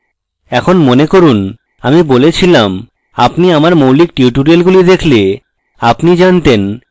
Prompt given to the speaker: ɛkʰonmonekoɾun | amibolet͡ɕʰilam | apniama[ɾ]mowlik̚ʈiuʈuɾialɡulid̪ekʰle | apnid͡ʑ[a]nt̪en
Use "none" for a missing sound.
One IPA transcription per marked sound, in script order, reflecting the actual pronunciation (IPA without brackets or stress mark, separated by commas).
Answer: ɾ, a